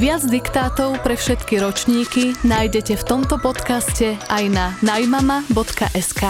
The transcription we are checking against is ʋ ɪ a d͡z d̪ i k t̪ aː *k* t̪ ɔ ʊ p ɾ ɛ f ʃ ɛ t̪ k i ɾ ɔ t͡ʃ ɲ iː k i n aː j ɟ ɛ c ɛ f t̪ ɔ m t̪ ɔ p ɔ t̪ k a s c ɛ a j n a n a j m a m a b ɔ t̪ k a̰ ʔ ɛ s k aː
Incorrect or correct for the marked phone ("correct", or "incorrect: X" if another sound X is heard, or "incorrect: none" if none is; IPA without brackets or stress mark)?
incorrect: none